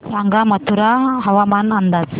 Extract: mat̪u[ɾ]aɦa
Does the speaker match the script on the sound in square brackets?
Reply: yes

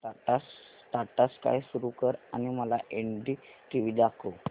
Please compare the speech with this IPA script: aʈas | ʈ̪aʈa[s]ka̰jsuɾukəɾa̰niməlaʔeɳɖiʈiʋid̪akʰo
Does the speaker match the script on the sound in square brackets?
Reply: yes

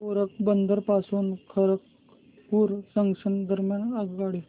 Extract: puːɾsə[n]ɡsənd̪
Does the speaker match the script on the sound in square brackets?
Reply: no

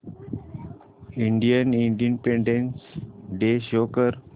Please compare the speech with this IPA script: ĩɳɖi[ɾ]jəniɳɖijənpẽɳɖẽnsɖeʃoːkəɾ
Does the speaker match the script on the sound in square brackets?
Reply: no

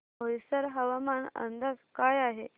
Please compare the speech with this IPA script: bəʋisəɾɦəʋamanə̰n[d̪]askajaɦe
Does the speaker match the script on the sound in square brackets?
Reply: yes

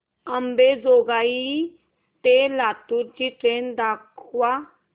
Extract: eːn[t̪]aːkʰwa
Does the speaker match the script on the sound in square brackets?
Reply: no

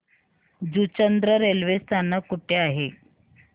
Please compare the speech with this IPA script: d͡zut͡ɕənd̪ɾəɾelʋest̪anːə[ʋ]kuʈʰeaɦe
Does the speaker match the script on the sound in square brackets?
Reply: no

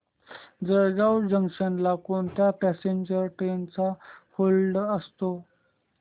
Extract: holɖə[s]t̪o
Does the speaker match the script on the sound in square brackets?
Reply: yes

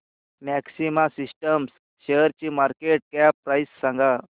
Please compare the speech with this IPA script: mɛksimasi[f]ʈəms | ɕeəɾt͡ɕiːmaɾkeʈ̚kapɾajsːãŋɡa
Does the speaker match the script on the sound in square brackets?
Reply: no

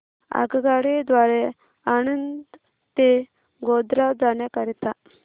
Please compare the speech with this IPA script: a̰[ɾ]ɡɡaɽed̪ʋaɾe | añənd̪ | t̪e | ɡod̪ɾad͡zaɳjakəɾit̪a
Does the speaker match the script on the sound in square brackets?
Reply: no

